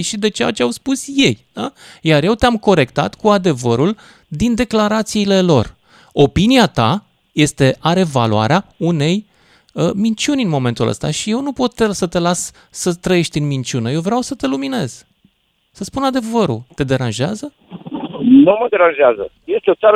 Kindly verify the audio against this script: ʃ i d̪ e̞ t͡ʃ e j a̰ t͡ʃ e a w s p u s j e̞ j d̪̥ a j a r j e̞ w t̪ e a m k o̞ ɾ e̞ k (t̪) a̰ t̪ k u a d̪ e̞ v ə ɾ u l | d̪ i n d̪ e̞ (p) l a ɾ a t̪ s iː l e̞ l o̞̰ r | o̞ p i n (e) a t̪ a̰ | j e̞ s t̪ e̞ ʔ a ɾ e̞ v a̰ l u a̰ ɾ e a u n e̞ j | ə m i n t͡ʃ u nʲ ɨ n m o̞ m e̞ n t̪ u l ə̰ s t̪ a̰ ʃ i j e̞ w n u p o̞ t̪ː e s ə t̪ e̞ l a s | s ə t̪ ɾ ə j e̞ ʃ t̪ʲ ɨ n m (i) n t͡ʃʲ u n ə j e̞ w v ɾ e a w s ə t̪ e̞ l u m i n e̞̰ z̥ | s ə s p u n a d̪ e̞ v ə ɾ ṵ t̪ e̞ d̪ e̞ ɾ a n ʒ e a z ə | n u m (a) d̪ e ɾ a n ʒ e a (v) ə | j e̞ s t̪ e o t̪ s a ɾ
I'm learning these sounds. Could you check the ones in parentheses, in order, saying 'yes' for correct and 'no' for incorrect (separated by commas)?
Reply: yes, no, no, yes, no, no